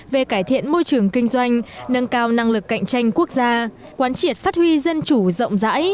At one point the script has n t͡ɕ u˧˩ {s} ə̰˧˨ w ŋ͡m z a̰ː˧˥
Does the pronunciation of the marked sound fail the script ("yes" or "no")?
yes